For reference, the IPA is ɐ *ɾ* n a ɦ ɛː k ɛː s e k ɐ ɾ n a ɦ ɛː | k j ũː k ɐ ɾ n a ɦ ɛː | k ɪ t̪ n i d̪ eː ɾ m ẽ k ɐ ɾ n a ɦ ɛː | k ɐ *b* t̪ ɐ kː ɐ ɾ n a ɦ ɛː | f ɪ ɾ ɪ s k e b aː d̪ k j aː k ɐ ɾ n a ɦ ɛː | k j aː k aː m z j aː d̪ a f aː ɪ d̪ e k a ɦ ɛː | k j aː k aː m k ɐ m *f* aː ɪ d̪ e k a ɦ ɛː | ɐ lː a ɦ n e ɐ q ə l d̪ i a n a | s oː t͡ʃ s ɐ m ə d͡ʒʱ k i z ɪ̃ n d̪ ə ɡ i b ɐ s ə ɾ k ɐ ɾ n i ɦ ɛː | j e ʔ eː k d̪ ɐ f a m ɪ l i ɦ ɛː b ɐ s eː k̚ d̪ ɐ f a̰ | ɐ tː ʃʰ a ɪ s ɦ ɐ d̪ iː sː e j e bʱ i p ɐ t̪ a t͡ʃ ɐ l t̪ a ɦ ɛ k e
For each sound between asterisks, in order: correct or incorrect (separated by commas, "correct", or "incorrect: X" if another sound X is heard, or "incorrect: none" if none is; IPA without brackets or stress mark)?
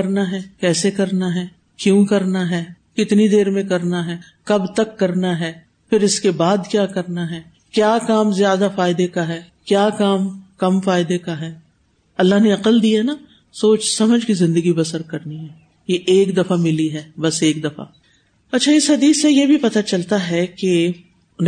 correct, correct, correct